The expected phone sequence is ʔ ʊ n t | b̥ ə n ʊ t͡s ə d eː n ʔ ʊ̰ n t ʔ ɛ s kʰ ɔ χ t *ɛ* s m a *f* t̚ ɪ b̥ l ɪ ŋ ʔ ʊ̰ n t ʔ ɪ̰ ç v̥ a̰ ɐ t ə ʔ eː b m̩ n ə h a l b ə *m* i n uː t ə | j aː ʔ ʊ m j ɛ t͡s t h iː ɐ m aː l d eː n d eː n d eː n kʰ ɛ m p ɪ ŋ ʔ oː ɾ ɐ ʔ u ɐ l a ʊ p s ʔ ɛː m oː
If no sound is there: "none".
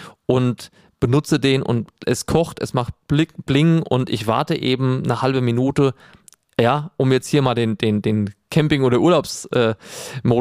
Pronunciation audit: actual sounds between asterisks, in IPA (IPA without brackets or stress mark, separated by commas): ɛ, χ, m